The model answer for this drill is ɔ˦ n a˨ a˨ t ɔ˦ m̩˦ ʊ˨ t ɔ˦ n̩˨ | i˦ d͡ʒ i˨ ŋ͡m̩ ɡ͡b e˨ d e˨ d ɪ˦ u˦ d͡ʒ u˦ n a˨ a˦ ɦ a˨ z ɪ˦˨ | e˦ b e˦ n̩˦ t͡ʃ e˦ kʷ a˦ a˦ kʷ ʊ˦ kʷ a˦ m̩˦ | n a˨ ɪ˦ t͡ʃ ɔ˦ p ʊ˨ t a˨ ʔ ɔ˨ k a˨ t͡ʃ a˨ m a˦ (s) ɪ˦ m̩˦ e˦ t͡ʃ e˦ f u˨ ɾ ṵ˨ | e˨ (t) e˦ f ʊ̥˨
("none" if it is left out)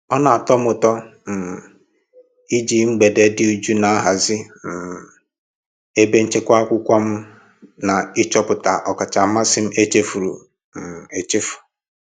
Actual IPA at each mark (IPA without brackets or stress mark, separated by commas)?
s, t͡ʃ